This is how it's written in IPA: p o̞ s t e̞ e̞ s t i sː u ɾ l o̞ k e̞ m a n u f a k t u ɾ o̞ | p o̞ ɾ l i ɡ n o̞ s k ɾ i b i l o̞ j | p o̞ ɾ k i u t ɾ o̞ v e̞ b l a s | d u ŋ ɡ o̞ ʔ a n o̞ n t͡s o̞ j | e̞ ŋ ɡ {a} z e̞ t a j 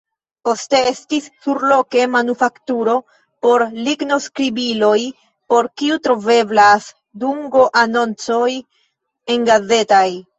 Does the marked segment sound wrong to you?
no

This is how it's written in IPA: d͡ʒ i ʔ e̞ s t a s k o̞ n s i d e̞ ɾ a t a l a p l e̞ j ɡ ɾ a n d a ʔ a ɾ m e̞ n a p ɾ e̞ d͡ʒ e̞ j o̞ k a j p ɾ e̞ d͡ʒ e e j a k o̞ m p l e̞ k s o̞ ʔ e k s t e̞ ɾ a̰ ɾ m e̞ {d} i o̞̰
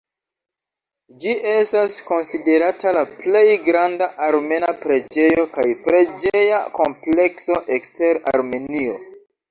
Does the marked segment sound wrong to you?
yes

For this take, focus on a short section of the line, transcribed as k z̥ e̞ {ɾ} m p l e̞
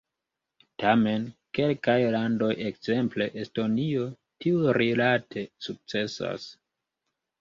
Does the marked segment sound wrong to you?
yes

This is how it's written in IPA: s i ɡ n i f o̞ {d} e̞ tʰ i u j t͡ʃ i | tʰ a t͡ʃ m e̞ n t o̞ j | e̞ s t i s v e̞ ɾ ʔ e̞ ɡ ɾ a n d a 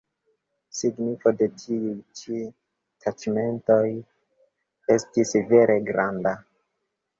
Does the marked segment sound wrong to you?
no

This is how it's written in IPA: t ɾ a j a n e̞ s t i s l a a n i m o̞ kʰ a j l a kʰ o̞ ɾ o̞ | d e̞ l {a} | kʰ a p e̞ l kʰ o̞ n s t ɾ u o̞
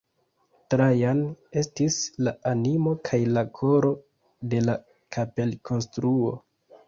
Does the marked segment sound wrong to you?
no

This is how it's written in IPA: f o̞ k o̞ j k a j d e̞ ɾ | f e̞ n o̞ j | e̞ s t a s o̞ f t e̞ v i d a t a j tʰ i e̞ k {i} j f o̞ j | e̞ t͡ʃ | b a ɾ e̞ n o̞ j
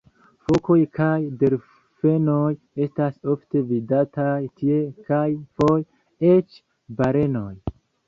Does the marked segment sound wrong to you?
yes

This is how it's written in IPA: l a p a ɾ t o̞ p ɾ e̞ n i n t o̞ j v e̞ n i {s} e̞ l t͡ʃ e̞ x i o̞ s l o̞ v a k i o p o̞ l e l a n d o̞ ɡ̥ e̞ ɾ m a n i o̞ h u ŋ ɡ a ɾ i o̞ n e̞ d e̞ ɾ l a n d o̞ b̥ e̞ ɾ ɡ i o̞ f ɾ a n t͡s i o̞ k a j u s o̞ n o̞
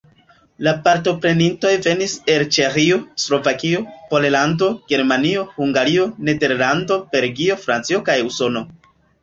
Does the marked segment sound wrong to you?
no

